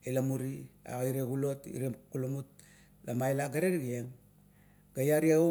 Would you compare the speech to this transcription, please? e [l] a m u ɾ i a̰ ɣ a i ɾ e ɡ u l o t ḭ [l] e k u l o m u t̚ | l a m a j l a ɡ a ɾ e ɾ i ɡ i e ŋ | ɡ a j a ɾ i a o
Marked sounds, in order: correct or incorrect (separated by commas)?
correct, incorrect